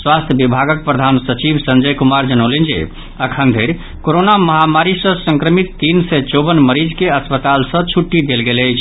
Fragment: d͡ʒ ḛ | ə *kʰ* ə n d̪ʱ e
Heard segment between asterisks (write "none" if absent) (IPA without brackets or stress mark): kʰ